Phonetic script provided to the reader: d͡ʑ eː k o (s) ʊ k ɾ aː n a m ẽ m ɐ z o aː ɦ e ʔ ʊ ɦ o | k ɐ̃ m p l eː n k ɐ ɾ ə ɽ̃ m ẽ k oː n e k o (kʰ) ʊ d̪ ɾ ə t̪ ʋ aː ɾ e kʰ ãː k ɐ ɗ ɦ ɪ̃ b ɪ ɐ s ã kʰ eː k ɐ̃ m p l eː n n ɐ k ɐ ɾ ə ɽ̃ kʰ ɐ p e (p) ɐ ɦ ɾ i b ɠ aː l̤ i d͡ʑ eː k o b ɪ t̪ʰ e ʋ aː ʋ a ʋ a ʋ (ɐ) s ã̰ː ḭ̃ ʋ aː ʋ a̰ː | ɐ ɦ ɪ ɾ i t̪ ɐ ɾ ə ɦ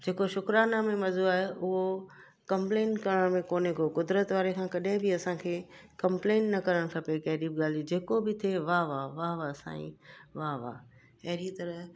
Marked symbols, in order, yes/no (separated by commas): no, no, no, no